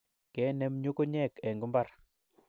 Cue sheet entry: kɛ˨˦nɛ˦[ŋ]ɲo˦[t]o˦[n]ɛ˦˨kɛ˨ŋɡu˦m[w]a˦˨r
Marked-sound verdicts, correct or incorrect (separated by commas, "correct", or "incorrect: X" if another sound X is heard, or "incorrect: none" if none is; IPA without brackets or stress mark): incorrect: m, incorrect: k, incorrect: ɲ, incorrect: b